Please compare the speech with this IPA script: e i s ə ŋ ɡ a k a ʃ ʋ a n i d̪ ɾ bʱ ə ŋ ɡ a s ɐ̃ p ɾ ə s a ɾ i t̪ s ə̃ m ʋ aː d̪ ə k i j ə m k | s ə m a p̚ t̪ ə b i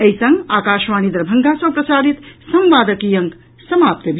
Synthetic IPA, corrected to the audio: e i s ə ŋ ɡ a k a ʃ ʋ a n i d̪ ɾ bʱ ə ŋ ɡ a s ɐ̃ p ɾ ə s a ɾ i t̪ s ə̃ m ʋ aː d̪ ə k i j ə ŋ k | s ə m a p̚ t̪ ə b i